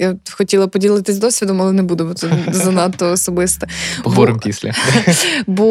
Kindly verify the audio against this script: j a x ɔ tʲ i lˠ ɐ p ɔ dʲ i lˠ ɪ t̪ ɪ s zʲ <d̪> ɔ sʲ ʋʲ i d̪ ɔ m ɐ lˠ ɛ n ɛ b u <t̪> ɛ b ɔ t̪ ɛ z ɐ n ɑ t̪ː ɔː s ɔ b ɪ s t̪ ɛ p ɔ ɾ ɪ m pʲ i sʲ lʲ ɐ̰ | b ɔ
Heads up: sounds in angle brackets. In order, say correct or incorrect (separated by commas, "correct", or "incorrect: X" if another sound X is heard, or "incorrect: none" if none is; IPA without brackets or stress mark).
correct, incorrect: d̪